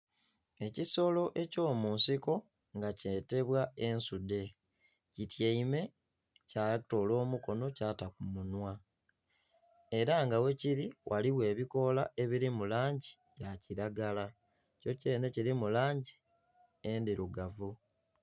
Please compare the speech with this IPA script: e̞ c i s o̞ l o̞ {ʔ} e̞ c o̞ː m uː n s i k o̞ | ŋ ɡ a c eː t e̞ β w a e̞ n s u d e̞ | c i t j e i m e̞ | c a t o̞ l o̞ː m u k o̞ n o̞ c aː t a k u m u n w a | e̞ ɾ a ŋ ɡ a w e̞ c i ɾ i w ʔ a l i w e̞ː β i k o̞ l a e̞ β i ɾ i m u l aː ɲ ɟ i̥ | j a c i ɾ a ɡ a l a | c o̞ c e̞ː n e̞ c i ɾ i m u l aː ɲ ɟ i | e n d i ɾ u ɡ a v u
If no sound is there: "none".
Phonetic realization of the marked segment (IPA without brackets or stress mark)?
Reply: ʔ